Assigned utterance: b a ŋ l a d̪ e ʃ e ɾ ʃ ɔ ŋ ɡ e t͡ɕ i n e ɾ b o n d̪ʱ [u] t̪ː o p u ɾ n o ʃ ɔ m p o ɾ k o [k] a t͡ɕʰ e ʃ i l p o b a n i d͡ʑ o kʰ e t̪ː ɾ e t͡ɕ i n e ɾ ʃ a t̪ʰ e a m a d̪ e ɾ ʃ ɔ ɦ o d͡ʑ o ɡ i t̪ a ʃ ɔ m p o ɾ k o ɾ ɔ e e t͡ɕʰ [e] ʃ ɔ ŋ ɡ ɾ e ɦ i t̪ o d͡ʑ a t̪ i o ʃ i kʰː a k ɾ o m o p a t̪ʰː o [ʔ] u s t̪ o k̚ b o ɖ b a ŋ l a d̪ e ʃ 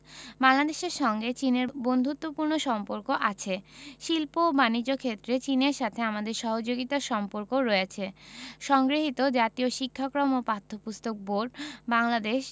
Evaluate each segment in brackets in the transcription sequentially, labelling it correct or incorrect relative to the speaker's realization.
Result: correct, incorrect: ʔ, correct, incorrect: p

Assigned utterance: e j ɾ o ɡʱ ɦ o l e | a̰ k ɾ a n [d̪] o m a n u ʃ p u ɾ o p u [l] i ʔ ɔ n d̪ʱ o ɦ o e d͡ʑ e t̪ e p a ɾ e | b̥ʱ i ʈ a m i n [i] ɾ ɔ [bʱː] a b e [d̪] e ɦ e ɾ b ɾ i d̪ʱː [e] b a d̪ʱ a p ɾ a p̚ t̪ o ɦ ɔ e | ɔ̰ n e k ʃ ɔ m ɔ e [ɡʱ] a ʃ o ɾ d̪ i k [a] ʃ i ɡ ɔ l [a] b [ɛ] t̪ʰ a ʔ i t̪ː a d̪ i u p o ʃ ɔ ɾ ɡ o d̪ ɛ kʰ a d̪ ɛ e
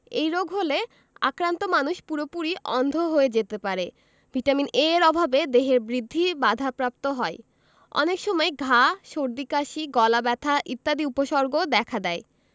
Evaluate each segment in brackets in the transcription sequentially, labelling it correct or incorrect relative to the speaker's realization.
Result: incorrect: t̪, incorrect: ɾ, incorrect: e, incorrect: bʱ, correct, incorrect: i, correct, correct, correct, correct

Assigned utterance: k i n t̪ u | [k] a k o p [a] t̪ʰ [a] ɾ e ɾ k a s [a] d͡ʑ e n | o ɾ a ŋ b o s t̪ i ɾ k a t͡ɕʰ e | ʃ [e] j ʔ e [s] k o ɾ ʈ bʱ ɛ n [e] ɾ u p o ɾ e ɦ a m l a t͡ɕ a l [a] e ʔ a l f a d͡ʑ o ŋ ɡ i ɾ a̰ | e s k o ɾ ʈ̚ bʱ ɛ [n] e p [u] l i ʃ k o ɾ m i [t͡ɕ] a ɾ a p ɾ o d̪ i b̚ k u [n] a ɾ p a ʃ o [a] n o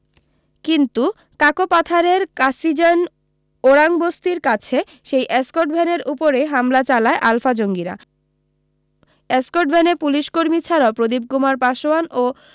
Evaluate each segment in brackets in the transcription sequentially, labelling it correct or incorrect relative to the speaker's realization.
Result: correct, correct, correct, incorrect: i, correct, correct, correct, correct, correct, correct, incorrect: t͡ɕʰ, incorrect: m, correct

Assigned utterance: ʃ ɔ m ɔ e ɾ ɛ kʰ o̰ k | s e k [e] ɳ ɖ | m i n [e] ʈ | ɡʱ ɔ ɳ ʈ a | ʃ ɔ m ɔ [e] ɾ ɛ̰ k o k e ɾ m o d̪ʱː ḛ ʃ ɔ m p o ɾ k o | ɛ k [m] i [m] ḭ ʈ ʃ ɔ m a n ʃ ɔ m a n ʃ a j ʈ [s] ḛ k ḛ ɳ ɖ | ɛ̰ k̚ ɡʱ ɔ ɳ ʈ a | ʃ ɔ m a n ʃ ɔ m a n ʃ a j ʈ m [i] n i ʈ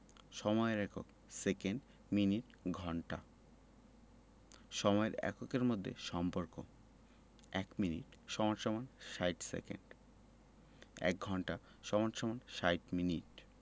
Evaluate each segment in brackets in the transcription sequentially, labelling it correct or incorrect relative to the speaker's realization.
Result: correct, incorrect: i, correct, correct, incorrect: n, correct, correct

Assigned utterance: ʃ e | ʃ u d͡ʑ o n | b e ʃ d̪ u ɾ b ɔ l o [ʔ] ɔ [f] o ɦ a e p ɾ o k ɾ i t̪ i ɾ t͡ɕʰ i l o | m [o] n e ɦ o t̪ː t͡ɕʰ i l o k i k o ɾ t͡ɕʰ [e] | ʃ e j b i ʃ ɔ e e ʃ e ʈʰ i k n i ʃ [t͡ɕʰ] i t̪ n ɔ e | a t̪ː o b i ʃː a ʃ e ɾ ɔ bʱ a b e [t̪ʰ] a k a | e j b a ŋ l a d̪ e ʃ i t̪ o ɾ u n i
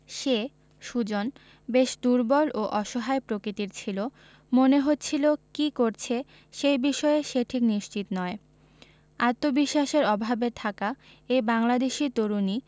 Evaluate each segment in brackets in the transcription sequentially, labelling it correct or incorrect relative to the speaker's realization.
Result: correct, incorrect: ʃ, correct, correct, incorrect: t͡ɕ, correct

